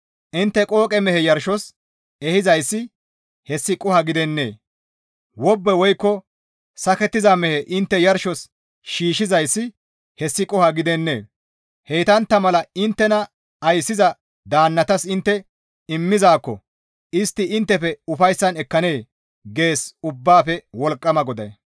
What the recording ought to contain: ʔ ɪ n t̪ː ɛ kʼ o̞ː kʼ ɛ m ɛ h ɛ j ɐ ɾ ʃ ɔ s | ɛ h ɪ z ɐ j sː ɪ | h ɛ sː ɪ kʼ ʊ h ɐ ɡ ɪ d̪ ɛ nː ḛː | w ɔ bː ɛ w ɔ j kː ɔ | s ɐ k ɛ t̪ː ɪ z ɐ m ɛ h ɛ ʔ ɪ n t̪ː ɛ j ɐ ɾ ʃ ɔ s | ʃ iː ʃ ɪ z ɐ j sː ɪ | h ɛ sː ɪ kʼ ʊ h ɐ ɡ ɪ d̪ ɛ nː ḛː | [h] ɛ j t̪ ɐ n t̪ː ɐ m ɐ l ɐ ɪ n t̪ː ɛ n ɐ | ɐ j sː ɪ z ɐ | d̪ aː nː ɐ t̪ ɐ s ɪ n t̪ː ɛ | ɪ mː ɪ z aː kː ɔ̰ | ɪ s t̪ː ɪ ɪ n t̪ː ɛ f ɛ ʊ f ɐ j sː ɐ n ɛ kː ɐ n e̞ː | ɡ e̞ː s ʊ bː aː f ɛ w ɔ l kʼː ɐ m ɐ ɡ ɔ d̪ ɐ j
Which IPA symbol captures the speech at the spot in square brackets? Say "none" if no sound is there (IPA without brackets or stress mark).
h